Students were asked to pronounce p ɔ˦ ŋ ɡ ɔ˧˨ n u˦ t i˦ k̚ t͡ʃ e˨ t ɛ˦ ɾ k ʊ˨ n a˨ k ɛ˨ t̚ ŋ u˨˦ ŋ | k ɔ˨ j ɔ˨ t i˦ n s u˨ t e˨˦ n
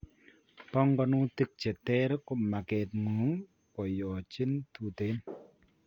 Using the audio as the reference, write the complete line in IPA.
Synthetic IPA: p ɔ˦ ŋ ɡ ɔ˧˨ n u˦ t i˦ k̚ t͡ʃ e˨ t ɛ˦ ɾ k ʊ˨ m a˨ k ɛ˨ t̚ ŋ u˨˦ ŋ | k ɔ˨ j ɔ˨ t͡ʃ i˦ n t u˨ t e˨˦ n